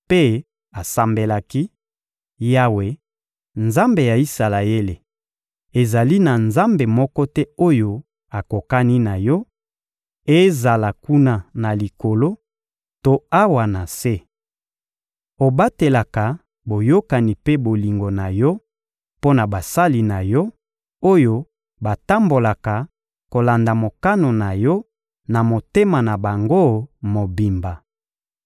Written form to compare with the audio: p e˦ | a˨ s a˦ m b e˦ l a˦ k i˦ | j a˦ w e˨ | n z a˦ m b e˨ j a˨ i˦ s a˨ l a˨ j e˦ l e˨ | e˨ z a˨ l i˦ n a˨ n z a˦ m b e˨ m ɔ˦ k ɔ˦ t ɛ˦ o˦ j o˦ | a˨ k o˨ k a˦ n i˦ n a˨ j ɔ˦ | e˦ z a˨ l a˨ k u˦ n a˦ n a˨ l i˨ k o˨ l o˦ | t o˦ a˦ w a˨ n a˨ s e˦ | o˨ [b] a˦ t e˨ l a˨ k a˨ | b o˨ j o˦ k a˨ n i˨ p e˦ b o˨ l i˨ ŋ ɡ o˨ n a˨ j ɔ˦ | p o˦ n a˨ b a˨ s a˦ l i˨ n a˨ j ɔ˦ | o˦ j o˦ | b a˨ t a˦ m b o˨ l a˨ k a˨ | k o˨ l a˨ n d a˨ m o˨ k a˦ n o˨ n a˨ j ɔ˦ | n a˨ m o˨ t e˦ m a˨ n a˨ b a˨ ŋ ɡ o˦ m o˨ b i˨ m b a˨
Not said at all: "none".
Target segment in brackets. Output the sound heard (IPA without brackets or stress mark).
b